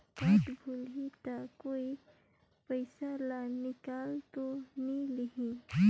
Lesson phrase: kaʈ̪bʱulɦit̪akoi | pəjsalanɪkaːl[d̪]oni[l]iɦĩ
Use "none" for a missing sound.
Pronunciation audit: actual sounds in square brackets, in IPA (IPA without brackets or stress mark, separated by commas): t̪, l